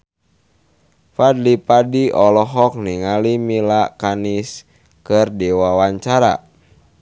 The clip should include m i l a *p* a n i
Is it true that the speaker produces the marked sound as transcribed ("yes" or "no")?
no